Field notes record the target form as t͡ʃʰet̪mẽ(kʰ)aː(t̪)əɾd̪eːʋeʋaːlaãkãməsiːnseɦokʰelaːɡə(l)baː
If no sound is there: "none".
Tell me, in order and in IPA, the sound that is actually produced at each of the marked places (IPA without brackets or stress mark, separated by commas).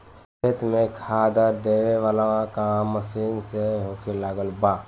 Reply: kʰ, d̪, l